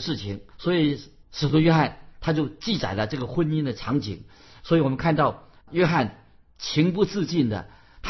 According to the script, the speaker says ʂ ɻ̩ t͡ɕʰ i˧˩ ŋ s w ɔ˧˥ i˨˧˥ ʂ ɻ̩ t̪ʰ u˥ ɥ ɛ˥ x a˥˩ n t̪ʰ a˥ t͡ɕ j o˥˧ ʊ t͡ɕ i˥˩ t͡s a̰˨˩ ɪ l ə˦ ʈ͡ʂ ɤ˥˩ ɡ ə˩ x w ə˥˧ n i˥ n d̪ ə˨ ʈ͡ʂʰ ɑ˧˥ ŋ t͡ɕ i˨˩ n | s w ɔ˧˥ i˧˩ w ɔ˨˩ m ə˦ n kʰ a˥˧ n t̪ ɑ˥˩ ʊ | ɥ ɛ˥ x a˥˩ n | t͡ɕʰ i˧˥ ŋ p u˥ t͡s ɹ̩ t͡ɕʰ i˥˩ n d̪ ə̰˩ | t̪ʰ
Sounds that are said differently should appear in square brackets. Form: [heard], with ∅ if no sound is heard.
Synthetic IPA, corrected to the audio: ʂ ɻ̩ t͡ɕʰ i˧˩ ŋ s w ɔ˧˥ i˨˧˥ ʂ ɻ̩ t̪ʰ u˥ ɥ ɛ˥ x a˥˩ n t̪ʰ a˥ t͡ɕ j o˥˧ ʊ t͡ɕ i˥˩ t͡s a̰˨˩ ɪ l ə˦ ʈ͡ʂ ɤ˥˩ ɡ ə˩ x w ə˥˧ n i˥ n d̪ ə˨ ʈ͡ʂʰ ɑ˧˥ ŋ t͡ɕ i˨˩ [ŋ] | s w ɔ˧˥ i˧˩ w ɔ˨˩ m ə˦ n kʰ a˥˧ n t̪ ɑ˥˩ ʊ | ɥ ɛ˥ x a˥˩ n | t͡ɕʰ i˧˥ ŋ p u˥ t͡s ɹ̩ [t͡ɕ] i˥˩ n d̪ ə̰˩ | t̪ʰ